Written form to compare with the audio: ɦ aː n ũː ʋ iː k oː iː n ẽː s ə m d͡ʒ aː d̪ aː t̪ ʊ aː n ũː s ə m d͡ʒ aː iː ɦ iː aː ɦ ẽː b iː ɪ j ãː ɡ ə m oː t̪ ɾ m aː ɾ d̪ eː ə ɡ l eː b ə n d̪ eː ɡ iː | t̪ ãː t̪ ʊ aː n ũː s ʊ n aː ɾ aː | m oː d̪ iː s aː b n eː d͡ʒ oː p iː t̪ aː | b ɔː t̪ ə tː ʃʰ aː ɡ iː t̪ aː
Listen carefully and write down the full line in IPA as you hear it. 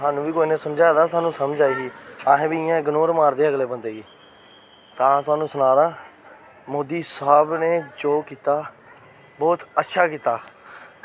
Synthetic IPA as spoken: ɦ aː n ũː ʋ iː k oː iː n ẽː s ə m d͡ʒ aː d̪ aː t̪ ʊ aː n ũː s ə m d͡ʒ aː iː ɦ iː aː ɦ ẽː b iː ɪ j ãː ɡ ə n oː ɾ m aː ɾ d̪ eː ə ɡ l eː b ə n d̪ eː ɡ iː | t̪ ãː t̪ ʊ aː n ũː s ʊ n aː ɾ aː | m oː d̪ iː s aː b n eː d͡ʒ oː k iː t̪ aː | b ɔː t̪ ə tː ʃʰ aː k iː t̪ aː